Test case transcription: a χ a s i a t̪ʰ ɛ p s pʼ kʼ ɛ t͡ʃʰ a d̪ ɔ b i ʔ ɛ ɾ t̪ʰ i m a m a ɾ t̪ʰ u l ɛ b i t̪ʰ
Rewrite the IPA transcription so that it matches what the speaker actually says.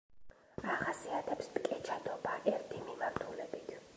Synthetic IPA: a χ a s i a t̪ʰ ɛ p s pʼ kʼ ɛ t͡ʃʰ a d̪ ɔ b a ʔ ɛ ɾ t̪ʰ i m i m a ɾ t̪ʰ u l ɛ b i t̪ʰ